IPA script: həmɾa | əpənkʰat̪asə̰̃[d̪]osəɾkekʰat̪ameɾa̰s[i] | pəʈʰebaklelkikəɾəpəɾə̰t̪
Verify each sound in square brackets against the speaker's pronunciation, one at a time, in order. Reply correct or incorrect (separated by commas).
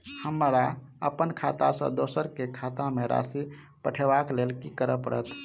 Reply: correct, correct